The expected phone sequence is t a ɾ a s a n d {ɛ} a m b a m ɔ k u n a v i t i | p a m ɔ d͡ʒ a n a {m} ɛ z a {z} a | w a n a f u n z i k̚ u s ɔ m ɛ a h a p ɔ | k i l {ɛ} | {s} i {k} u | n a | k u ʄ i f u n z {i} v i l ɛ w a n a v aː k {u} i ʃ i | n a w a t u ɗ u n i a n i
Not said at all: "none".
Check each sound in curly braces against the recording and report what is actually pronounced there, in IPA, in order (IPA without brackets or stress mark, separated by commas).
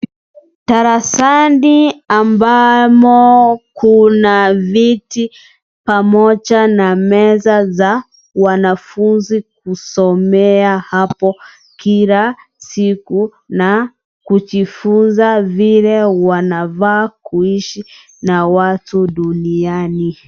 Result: i, m, z, a, s, k, a, u